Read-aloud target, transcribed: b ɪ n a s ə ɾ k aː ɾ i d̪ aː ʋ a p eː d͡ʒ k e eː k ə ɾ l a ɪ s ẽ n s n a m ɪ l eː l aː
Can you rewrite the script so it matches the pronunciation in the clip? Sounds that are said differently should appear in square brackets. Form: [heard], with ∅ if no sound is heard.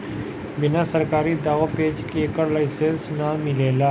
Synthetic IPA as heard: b ɪ n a s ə ɾ k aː ɾ i d̪ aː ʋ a p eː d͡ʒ k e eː k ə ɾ l a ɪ s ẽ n s n a m ɪ l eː l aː